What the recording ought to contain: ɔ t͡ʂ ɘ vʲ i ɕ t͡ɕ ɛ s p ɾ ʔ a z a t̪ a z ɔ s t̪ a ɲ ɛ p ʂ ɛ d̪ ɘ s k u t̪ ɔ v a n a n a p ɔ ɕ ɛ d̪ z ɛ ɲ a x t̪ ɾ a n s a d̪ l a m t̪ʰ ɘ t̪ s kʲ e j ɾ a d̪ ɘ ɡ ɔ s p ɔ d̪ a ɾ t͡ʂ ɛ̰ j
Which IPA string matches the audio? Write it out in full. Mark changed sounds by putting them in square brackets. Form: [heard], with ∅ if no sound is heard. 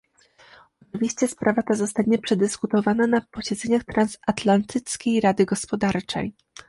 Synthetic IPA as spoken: ɔ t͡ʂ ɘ vʲ i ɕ t͡ɕ ɛ s p ɾ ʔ a [v] a t̪ a z ɔ s t̪ a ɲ ɛ p ʂ ɛ d̪ ɘ s k u t̪ ɔ v a n a n a p ɔ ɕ ɛ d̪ z ɛ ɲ a x t̪ ɾ a n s a [t̪] l a [n] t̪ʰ ɘ t̪ s kʲ e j ɾ a d̪ ɘ ɡ ɔ s p ɔ d̪ a ɾ t͡ʂ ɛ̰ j